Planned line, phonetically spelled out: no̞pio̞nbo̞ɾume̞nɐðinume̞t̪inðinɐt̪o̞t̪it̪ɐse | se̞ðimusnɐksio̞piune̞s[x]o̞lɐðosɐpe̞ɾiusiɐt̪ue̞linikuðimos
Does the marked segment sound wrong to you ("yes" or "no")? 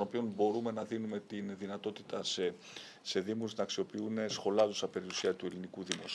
no